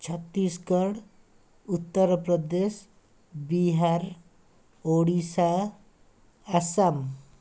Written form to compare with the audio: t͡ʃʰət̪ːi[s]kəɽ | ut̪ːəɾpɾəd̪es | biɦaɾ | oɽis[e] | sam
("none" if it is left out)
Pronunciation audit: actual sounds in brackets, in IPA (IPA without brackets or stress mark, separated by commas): s, a